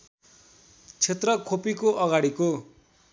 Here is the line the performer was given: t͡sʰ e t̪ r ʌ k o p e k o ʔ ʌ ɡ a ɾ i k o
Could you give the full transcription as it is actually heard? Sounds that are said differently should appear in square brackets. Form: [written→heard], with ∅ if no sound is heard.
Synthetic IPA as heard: t͡sʰ e t̪ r ʌ [k→kʰ] o p [e→i] k o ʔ ʌ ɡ a [ɾ→ɽ] i k o